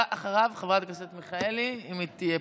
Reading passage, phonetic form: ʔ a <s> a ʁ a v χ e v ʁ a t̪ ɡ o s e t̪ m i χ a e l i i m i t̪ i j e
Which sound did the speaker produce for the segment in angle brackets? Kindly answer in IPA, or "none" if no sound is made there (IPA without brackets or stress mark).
χ